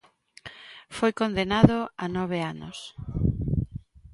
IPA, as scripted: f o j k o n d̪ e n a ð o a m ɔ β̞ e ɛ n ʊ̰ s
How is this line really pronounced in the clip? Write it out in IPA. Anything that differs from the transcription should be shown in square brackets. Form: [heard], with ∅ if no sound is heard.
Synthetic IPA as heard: f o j k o n d̪ e n a ð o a [n] ɔ β̞ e [a] n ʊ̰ s